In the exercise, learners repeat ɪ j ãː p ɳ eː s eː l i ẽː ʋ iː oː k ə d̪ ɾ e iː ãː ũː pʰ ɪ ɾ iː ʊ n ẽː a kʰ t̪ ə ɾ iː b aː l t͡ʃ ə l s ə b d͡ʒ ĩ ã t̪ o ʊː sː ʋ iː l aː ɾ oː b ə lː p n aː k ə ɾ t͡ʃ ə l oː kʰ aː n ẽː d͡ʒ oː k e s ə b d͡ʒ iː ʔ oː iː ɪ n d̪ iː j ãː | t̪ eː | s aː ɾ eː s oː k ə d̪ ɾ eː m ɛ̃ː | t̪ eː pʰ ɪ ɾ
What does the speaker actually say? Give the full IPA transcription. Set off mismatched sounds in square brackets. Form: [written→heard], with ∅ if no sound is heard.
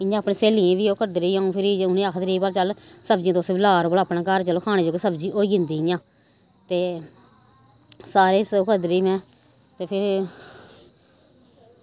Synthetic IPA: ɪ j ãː p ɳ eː s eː l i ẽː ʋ iː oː k ə d̪ ɾ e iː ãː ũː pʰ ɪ ɾ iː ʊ n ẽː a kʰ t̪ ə ɾ iː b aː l t͡ʃ ə l s ə b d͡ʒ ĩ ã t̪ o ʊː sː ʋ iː l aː ɾ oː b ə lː p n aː k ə ɾ t͡ʃ ə l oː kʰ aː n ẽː d͡ʒ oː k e s ə b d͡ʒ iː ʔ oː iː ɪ n d̪ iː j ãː | t̪ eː | s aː ɾ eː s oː k ə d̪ ɾ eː m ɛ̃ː | t̪ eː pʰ ɪ ɾ